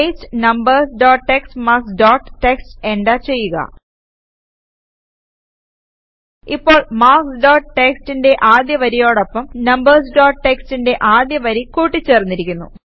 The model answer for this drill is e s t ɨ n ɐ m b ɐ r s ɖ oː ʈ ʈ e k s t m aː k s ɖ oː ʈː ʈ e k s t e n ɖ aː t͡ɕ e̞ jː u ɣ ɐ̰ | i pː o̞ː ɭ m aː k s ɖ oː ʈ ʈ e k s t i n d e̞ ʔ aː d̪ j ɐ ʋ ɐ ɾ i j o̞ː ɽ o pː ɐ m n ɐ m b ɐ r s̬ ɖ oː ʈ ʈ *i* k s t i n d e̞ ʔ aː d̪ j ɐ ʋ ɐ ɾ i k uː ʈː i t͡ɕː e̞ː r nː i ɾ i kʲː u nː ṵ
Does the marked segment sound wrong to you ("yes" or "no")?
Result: yes